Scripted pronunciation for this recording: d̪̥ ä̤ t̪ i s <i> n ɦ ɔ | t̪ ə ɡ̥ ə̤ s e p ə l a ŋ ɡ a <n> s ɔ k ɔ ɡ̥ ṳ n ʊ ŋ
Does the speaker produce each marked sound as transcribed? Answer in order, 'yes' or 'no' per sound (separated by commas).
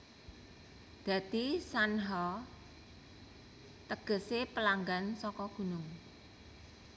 no, yes